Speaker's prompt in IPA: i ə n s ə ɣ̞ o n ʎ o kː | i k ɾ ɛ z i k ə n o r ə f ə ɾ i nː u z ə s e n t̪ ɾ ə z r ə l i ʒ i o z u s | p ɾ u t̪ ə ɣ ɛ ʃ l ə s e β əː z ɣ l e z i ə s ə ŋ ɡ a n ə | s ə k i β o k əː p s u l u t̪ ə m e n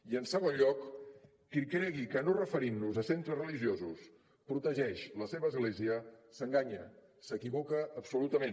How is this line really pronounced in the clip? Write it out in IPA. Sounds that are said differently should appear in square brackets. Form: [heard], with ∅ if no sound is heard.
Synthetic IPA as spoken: i ə n s ə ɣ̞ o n ʎ [ɔ] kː | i k ɾ ɛ [ɣ] i k ə n o r ə f ə ɾ i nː u z ə s e n t̪ ɾ ə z r ə l i ʒ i o z u s | p ɾ u t̪ ə [ʒ] ɛ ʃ l ə s e β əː z ɣ l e z i ə s ə ŋ ɡ a [ɲ] ə | s ə k i β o k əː p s u l u t̪ ə m e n

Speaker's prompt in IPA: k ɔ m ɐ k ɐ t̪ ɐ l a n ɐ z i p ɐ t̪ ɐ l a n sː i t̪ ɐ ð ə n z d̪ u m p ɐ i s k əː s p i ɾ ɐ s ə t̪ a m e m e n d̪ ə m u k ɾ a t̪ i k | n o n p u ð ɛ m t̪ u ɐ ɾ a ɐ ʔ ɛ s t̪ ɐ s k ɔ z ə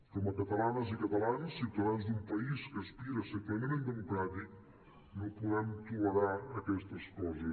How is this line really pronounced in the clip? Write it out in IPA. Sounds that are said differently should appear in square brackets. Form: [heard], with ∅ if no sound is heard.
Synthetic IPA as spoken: k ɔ m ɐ k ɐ t̪ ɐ l a n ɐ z i [k] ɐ t̪ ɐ l a n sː i t̪ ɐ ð [a] n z d̪ u m p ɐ i s k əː s p i ɾ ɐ s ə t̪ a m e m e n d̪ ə m u k ɾ a t̪ i k | n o [∅] p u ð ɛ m t̪ u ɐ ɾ a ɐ [k] ɛ s t̪ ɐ s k ɔ z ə

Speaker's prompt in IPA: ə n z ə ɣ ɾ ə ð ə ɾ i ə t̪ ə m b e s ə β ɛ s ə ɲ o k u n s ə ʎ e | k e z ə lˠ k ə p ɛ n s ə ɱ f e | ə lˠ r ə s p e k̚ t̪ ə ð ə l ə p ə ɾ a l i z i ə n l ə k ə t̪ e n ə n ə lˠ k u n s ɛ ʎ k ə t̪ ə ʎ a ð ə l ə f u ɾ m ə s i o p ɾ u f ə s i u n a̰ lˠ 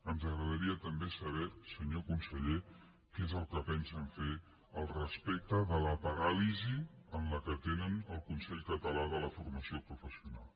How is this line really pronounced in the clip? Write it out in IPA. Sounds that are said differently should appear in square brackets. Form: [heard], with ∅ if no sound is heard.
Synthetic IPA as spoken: ə n z ə ɣ ɾ ə ð ə ɾ i ə t̪ ə m b e s ə β ɛ s ə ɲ o k u n s ə ʎ e | k e z ə lˠ k ə p ɛ n s ə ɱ f e | ə lˠ r ə s p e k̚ t̪ ə ð ə l ə p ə ɾ a l i z i ə n l ə k ə t̪ e n ə n ə lˠ k u n s ɛ ʎ k ə t̪ ə [l] a ð ə l ə f u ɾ m ə s i o p ɾ u f ə s i u n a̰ lˠ

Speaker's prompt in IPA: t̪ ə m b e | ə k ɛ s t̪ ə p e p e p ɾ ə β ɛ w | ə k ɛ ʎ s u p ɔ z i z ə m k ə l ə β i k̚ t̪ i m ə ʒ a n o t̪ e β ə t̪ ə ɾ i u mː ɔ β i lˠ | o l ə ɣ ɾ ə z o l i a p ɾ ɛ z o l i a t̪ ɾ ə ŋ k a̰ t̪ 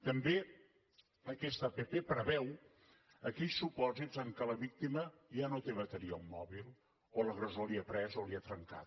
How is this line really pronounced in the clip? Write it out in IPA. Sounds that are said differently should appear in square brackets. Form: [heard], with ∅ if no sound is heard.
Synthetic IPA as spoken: t̪ ə m b e | ə k ɛ s t̪ ə p e p e p ɾ ə β ɛ w | ə k ɛ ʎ s u p ɔ z i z ə [ŋ] k ə l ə β i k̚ t̪ i m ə ʒ a n o t̪ e β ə t̪ ə ɾ i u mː ɔ β i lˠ | o l ə ɣ ɾ ə z o l i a p ɾ ɛ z o l i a t̪ ɾ ə ŋ k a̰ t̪

